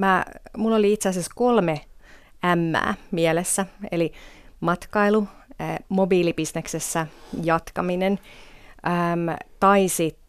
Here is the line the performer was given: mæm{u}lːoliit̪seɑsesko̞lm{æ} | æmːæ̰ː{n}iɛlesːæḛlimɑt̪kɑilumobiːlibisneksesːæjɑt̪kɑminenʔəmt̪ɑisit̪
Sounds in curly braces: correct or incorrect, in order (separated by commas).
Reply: correct, incorrect, incorrect